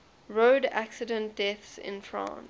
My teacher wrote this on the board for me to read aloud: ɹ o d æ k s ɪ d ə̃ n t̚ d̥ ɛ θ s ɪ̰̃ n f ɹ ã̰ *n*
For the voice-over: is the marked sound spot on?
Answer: yes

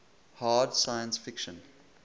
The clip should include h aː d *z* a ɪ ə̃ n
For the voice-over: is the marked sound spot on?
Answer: no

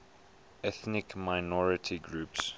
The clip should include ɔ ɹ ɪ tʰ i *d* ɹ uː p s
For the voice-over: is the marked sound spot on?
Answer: no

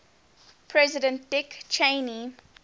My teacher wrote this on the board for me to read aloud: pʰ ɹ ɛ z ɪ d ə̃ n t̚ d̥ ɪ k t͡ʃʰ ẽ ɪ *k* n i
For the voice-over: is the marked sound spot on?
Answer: no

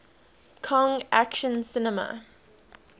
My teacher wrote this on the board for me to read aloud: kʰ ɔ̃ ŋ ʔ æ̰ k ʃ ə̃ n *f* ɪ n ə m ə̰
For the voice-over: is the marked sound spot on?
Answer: no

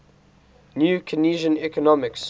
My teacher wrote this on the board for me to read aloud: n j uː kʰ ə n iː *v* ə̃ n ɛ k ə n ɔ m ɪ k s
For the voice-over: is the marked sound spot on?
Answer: no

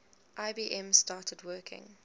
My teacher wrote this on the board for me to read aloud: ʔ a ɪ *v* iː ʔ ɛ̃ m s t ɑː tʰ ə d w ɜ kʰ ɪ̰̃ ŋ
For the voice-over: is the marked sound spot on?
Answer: no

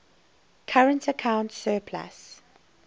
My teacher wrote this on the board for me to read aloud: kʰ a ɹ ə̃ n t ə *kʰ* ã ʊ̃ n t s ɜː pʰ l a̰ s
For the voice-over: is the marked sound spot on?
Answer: yes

